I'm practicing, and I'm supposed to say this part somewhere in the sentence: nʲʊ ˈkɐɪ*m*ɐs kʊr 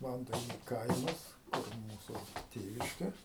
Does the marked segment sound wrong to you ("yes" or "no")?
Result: no